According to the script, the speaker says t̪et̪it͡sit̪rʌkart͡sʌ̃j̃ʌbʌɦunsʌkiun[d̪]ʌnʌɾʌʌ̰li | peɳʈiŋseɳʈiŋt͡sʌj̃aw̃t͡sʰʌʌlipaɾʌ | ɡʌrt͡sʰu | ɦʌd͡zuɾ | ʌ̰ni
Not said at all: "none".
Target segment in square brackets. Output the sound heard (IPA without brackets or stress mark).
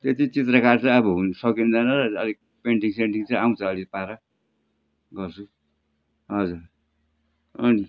d̪